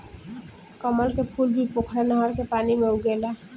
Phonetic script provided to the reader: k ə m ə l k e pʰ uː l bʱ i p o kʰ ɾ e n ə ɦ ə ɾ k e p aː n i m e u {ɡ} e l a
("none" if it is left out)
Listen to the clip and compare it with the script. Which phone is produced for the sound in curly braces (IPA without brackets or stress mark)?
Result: ɡ